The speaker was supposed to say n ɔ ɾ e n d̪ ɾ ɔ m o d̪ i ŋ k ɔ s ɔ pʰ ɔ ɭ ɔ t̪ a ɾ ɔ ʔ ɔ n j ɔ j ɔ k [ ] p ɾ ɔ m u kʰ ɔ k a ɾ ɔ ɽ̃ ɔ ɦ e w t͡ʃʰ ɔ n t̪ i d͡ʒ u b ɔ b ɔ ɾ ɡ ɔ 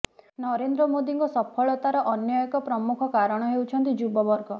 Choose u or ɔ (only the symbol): ɔ